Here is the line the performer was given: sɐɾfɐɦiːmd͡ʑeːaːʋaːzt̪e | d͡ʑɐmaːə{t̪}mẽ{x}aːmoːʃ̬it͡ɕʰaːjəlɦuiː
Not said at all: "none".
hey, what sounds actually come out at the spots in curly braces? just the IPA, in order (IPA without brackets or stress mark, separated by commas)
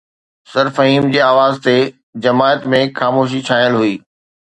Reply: t̪, x